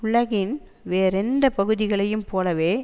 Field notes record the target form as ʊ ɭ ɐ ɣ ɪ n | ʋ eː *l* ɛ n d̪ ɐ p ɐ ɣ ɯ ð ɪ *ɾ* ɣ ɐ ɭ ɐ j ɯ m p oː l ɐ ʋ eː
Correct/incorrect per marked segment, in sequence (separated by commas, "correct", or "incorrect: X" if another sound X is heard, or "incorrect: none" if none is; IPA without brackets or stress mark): incorrect: ɾ, incorrect: none